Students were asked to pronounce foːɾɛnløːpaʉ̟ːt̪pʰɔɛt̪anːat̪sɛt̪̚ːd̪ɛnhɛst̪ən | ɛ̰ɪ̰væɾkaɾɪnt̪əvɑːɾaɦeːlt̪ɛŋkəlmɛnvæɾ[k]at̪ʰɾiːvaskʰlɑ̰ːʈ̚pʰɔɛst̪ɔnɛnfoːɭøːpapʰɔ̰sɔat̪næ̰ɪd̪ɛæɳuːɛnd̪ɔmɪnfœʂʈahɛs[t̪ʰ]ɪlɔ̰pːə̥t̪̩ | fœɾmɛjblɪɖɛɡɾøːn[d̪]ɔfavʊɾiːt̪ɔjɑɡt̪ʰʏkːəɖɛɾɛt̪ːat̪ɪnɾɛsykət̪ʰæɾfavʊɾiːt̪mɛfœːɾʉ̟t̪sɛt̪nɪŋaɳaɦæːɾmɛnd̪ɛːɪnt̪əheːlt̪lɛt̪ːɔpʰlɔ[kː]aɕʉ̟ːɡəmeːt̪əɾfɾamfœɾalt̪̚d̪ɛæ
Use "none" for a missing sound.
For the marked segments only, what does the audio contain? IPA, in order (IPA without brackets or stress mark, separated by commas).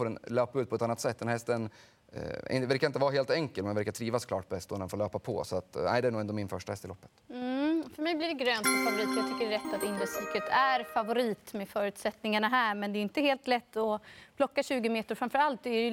k, t̪, t̪, kː